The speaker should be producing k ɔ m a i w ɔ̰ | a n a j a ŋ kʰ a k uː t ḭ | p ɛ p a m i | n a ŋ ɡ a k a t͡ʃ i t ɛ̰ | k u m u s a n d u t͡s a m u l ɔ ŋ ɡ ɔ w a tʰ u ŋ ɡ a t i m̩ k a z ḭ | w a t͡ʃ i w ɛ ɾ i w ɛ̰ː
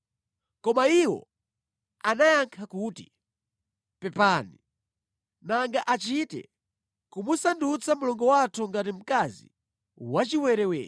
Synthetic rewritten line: k ɔ m a i w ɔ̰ | a n a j a ŋ kʰ a k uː t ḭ | p ɛ p a n i | n a ŋ ɡ a ʔ a t͡ʃ i t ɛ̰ | k u m u s a n d u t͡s a m u l ɔ ŋ ɡ ɔ w a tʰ u ŋ ɡ a t i m̩ k a z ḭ | w a t͡ʃ i w ɛ ɾ ɛ w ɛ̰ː